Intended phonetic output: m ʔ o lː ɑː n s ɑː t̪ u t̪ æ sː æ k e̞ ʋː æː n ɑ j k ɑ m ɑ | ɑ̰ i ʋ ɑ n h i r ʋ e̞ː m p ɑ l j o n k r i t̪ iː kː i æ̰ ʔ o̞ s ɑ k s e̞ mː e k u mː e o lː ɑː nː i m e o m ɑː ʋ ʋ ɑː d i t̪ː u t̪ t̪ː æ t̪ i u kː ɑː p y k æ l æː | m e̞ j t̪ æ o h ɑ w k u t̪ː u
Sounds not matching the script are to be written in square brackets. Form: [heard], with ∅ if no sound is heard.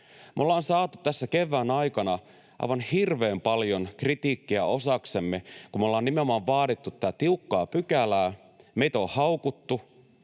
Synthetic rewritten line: m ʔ o lː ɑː n s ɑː t̪ u t̪ æ sː æ k e̞ ʋː æː n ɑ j k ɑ [n] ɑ | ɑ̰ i ʋ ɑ n h i r ʋ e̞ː m p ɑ l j o n k r i t̪ iː kː i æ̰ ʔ o̞ s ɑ k s e̞ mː e k u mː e o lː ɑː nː i m e o m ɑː ʋ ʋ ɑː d i t̪ː u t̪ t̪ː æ t̪ i u kː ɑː p y k æ l æː | m e̞ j t̪ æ o h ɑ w k u t̪ː u